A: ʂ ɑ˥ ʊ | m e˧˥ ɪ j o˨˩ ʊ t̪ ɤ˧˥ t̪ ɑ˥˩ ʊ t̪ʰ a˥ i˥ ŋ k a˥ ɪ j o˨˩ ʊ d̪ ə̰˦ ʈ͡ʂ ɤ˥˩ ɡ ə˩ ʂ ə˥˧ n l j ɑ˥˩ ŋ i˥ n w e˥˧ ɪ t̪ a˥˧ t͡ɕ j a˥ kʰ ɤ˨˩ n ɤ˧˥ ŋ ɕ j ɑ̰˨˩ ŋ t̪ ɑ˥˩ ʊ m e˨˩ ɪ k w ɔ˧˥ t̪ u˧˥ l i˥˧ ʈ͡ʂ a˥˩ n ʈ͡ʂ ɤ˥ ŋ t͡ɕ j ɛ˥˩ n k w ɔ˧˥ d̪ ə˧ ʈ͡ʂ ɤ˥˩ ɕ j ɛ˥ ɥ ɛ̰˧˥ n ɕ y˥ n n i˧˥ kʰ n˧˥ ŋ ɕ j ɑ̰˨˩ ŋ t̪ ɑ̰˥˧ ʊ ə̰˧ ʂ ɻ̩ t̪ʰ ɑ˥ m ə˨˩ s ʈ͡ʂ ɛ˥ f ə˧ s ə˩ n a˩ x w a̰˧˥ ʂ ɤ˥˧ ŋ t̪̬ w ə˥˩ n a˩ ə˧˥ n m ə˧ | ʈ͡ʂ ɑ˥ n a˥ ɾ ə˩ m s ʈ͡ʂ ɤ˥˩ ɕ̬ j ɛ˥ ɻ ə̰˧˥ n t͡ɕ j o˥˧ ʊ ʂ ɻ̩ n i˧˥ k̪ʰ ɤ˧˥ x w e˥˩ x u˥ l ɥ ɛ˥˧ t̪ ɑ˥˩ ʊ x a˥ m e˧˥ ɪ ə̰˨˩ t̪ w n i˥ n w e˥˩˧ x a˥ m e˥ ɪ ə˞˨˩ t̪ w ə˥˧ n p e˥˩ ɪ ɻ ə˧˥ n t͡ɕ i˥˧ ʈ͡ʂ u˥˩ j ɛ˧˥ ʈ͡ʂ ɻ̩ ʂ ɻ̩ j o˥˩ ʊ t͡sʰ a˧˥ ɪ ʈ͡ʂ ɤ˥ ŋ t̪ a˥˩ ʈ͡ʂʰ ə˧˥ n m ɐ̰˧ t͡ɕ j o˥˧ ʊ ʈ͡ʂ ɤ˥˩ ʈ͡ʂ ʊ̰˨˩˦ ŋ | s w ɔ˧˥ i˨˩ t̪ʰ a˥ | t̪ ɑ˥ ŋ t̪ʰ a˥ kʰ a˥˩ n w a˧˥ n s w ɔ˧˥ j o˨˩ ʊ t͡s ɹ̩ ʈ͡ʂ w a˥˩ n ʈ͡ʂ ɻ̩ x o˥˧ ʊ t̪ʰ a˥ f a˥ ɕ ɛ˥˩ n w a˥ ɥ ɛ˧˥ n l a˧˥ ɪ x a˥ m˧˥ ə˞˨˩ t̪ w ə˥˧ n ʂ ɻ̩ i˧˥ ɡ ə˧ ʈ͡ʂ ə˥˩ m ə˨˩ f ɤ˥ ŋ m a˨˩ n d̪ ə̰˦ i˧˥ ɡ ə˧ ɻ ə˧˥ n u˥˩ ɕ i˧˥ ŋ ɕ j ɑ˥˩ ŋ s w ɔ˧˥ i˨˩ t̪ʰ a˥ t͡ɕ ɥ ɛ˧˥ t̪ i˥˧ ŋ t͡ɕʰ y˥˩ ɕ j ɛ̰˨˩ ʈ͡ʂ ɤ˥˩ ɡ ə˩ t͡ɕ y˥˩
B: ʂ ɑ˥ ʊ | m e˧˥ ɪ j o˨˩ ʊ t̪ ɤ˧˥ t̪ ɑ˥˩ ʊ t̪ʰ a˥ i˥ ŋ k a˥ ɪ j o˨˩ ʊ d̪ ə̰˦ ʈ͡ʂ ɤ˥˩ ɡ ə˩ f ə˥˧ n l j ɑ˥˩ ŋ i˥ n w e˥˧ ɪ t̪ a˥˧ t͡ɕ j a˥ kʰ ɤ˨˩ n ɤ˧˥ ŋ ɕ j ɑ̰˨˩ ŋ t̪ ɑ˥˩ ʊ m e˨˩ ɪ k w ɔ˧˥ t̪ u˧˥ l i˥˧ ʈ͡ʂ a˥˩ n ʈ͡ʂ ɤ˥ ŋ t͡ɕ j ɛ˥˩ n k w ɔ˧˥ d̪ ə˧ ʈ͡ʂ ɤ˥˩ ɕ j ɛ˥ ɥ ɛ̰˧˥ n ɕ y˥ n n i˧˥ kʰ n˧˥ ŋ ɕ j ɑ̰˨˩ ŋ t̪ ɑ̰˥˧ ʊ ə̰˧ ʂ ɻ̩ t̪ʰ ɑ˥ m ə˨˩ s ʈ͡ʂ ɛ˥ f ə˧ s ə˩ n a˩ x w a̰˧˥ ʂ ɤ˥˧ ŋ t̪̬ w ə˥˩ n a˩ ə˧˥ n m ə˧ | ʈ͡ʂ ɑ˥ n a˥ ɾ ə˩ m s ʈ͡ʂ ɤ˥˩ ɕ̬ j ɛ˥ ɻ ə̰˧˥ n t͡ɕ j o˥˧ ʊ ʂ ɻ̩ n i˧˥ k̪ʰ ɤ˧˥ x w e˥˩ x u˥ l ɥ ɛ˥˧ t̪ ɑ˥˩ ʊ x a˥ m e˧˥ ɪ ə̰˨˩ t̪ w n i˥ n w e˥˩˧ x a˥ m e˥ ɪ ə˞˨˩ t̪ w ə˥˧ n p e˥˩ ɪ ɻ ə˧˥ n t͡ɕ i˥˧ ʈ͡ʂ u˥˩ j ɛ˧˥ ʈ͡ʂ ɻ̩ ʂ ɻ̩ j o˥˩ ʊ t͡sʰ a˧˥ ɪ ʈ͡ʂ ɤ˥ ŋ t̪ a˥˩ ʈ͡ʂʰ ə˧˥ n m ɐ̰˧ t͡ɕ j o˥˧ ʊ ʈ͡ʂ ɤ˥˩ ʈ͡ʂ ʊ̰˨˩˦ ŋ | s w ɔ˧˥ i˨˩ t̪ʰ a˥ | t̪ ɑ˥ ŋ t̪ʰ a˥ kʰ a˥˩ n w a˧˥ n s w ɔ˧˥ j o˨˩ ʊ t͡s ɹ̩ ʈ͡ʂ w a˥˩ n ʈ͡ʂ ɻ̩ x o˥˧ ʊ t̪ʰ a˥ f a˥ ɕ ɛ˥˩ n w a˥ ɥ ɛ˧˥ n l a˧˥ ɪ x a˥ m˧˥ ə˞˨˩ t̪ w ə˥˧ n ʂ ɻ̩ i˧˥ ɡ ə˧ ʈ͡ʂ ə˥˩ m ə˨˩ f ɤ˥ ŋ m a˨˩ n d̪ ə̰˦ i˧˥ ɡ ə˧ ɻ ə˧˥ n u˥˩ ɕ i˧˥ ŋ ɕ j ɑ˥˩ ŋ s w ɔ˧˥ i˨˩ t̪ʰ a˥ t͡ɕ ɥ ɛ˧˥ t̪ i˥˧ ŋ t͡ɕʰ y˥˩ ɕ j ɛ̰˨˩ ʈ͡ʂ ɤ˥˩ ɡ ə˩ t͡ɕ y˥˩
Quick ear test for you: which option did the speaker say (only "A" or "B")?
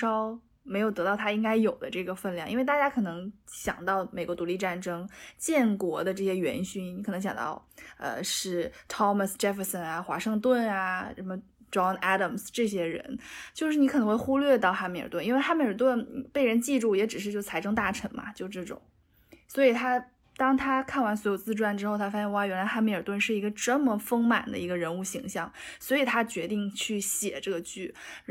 B